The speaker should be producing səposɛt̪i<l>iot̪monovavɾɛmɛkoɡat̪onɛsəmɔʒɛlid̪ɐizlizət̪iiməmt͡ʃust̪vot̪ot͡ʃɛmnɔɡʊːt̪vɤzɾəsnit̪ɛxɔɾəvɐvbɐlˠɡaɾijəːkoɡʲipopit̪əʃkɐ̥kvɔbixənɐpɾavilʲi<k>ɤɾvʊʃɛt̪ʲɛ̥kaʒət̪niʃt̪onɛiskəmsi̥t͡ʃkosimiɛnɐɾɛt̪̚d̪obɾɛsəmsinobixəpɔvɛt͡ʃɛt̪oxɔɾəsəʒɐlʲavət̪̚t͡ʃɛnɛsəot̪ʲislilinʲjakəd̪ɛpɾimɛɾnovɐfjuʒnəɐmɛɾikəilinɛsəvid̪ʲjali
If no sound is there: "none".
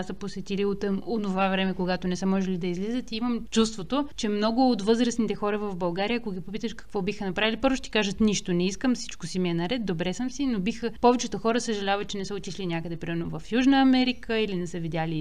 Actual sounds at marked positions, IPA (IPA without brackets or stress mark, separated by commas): l, p